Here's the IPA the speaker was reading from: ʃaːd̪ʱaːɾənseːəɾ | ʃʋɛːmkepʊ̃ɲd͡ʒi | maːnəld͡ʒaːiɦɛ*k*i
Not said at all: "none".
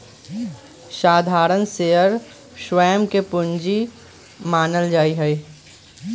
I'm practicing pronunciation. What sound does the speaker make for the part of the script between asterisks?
none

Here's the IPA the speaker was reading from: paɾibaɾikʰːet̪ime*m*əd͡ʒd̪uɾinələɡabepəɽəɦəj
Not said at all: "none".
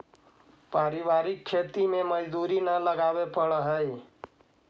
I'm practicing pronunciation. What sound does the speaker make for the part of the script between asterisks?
m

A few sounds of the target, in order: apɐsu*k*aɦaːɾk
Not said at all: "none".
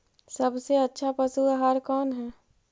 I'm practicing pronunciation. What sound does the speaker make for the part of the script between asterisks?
none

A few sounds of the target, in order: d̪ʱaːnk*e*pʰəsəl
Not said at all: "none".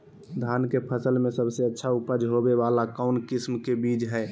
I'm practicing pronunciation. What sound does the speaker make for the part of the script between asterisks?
e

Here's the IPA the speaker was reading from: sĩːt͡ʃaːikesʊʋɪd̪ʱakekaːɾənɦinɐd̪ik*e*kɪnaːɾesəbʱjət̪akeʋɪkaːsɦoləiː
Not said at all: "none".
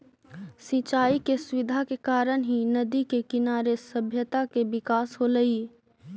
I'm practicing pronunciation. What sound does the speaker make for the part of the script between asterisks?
e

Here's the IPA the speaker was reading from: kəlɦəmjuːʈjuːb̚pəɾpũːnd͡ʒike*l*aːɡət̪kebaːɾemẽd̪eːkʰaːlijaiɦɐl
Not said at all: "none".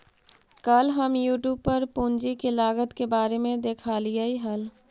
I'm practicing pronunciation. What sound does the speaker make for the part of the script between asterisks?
l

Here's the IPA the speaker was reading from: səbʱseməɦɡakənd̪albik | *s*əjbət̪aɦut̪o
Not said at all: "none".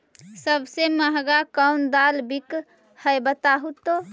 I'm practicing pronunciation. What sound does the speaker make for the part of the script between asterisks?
h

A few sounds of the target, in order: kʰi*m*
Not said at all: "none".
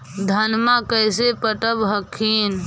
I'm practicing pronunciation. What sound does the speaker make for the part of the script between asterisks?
n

